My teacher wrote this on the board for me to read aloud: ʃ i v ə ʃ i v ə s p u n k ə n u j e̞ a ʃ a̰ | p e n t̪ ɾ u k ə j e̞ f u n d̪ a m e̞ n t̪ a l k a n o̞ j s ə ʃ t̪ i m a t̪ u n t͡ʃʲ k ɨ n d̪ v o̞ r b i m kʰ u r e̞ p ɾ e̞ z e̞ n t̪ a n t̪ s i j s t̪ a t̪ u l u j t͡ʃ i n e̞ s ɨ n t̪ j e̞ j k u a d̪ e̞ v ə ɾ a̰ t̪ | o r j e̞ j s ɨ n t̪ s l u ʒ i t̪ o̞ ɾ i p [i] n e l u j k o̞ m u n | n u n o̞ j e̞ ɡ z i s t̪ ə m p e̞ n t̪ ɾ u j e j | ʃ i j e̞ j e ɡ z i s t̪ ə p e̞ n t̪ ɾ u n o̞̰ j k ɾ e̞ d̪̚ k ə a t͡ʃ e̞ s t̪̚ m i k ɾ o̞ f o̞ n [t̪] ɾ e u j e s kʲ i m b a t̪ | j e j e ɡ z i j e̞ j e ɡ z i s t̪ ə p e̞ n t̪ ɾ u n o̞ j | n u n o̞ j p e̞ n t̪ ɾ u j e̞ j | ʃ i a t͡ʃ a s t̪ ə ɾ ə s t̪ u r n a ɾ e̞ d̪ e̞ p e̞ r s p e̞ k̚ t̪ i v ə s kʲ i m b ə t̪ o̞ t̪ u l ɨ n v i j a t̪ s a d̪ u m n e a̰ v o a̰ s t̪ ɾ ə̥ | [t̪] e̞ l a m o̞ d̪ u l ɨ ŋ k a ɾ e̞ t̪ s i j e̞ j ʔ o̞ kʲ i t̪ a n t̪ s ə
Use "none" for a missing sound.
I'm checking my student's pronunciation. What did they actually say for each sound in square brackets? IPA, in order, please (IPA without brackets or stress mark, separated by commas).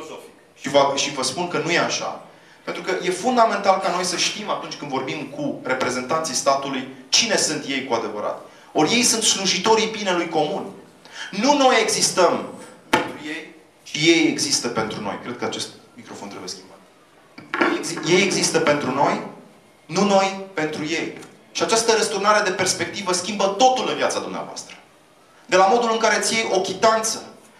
i, t̪, d̪